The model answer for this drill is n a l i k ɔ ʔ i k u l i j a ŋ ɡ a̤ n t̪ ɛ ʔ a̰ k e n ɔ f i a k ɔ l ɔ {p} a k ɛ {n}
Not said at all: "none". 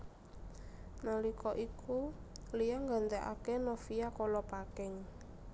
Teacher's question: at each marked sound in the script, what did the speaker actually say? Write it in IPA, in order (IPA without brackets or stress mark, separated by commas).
p, ŋ